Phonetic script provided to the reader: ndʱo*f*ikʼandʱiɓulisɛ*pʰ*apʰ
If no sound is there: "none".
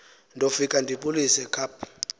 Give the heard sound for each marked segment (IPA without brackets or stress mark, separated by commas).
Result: f, kʰ